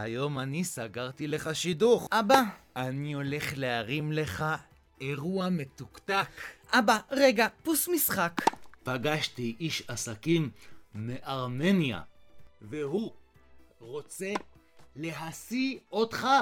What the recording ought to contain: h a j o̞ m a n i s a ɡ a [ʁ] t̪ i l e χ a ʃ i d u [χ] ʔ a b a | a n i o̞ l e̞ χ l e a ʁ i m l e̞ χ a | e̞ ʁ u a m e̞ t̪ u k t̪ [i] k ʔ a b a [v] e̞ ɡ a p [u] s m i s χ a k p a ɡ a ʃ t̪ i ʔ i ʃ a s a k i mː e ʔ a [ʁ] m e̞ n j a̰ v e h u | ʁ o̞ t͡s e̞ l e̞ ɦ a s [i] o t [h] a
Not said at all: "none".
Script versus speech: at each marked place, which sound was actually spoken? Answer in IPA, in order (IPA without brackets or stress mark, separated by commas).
ʁ, χ, a, ʁ, u, ʁ, i, χ